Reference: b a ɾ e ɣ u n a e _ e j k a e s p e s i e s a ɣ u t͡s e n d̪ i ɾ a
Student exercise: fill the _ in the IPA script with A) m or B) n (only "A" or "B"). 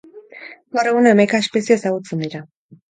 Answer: A